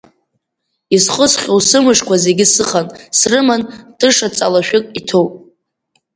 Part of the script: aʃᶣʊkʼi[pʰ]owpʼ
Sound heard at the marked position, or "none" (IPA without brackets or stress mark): tʰ